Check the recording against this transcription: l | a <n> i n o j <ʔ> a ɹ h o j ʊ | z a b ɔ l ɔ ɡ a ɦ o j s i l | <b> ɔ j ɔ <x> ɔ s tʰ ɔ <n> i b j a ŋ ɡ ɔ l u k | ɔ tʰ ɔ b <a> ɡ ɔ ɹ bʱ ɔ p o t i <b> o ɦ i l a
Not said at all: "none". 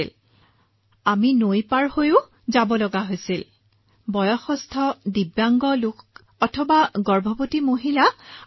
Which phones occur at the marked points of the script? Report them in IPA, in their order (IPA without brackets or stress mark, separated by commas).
m, p, b, x, d, a, m